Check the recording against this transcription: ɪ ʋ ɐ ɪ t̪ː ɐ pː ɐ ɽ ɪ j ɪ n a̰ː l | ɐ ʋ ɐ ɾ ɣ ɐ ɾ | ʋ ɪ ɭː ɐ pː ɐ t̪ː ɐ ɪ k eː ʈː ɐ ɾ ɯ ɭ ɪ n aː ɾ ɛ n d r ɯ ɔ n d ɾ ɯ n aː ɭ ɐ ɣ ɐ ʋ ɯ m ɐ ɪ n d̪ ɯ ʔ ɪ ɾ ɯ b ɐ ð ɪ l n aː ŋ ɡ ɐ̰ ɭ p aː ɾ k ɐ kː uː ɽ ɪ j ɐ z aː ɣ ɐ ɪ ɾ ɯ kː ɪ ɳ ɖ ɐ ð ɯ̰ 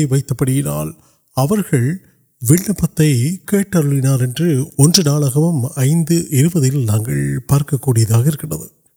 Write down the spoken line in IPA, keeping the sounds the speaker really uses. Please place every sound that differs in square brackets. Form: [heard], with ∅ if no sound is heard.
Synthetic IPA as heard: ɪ ʋ ɐ ɪ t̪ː ɐ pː ɐ ɽ ɪ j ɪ n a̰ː l | ɐ ʋ ɐ ɾ ɣ ɐ [ɭ] | ʋ ɪ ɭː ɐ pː ɐ t̪ː ɐ ɪ k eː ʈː ɐ ɾ ɯ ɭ ɪ n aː ɾ ɛ n d r ɯ ɔ n d [r] ɯ n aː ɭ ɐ ɣ ɐ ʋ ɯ m ɐ ɪ n d̪ ɯ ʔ ɪ ɾ ɯ b ɐ ð ɪ l n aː ŋ ɡ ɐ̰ ɭ p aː ɾ k ɐ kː uː ɽ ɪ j ɐ [ð] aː ɣ ɐ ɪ ɾ ɯ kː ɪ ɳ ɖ ɐ ð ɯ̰